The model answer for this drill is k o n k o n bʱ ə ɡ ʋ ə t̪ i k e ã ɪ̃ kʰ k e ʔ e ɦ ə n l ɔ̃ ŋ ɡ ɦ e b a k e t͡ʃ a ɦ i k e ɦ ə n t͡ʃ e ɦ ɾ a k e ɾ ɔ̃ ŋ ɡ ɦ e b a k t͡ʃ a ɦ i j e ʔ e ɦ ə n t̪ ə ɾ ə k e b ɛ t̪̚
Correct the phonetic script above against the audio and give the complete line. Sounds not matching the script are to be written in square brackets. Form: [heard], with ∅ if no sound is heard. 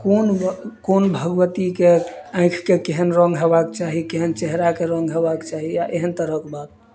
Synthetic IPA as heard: k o n k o n bʱ ə ɡ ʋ ə t̪ i k e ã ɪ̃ kʰ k e [k] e ɦ ə n [ɾ] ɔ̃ ŋ ɡ ɦ e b a k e t͡ʃ a ɦ i k e ɦ ə n t͡ʃ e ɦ ɾ a k e ɾ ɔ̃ ŋ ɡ ɦ e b a k t͡ʃ a ɦ i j [a] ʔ e ɦ ə n t̪ ə ɾ ə k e b [a] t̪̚